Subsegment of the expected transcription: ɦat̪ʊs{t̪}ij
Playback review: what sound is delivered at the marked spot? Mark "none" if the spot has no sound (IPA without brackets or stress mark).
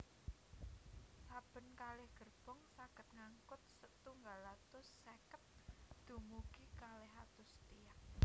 t̪